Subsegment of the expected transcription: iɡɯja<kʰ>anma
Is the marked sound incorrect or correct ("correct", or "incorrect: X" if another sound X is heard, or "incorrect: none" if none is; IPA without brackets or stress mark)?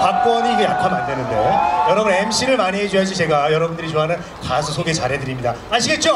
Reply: correct